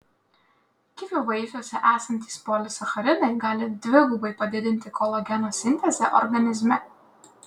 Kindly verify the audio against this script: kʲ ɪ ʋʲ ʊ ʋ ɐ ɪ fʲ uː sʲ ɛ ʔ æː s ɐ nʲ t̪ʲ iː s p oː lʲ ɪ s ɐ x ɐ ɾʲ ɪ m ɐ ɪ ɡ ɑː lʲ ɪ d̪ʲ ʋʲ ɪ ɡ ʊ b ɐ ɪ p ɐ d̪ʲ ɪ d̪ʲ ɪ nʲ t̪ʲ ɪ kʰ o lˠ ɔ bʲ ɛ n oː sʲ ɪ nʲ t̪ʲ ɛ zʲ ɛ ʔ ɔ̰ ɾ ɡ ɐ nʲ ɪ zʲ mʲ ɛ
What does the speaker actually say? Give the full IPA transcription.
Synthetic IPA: kʲ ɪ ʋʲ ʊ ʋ ɐ ɪ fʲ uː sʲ ɛ ʔ æː s ɐ nʲ t̪ʲ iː s p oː lʲ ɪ s ɐ x ɐ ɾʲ ɪ n ɐ ɪ ɡ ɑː lʲ ɪ d̪ʲ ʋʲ ɪ ɡ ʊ b ɐ ɪ p ɐ d̪ʲ ɪ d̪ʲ ɪ nʲ t̪ʲ ɪ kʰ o lˠ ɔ ɡʲ ɛ n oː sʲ ɪ nʲ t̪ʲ ɛ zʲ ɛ ʔ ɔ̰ ɾ ɡ ɐ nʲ ɪ zʲ mʲ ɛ